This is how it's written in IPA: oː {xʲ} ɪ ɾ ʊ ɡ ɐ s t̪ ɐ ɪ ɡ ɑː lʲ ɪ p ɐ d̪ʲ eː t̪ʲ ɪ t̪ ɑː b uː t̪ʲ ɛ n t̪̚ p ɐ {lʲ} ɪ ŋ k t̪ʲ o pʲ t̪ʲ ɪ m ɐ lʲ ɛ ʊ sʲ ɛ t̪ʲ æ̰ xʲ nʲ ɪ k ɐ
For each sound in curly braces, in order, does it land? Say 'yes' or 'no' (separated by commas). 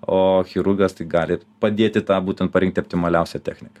yes, no